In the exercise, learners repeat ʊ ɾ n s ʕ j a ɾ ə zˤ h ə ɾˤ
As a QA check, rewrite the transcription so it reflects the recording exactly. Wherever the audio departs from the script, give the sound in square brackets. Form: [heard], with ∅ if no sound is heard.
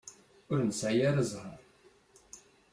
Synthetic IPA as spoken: ʊ ɾ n s ʕ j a ɾ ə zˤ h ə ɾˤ